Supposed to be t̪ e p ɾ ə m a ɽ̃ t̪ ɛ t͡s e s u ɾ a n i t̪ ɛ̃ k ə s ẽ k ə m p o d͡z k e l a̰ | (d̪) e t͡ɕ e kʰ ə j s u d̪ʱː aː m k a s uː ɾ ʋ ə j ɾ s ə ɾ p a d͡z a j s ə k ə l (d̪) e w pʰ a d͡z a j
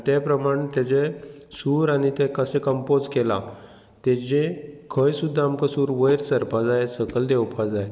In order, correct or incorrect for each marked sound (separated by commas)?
incorrect, correct